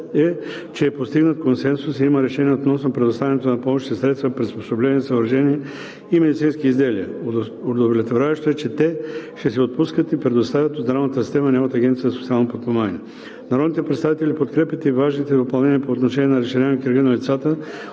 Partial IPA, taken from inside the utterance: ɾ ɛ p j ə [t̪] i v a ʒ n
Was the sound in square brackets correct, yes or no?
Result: yes